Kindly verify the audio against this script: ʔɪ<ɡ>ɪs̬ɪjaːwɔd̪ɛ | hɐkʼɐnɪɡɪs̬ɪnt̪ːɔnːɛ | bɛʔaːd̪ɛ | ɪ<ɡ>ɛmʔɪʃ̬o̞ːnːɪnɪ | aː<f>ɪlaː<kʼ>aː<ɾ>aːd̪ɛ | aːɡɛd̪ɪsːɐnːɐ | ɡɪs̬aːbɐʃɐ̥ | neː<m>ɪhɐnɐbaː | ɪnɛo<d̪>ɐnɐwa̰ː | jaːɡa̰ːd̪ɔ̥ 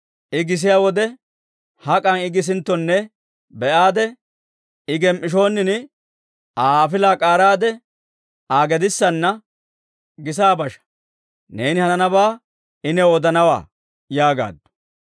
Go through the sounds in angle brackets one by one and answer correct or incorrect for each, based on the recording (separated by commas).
correct, correct, correct, correct, correct, incorrect, correct